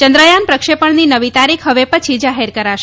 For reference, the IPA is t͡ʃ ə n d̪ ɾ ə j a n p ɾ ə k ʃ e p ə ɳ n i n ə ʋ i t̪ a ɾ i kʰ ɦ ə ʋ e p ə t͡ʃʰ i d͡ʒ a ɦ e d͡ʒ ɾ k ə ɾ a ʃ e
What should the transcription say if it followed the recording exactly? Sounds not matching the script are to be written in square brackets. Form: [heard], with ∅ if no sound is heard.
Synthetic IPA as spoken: t͡ʃ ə n d̪ ɾ ə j a n p ɾ ə k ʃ e p ə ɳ n i n ə ʋ i t̪ a ɾ i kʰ ɦ ə ʋ e p ə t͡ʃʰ i d͡ʒ a ɦ e [∅] ɾ k ə ɾ a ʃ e